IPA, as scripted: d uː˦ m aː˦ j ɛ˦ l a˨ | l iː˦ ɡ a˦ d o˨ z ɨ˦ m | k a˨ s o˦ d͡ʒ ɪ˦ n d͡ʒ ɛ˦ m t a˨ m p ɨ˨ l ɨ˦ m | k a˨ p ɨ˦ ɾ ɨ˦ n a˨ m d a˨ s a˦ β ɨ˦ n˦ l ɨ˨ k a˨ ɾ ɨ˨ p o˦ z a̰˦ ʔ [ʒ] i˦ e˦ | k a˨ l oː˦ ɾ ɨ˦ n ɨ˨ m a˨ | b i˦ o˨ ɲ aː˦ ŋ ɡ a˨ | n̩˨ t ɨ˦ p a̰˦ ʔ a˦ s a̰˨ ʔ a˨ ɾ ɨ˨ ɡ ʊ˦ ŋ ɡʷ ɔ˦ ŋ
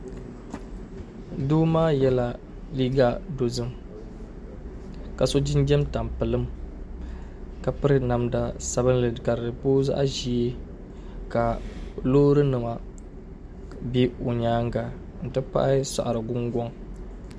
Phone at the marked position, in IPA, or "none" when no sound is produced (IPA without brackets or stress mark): ʒ